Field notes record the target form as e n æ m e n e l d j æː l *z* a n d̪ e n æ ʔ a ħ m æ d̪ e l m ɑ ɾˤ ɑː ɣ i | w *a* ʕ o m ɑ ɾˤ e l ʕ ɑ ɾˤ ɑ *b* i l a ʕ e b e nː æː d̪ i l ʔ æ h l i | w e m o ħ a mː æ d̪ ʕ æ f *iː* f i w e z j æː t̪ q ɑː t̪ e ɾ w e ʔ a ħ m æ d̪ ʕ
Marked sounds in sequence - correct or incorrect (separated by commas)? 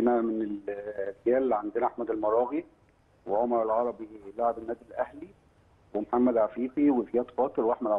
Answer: incorrect, incorrect, correct, correct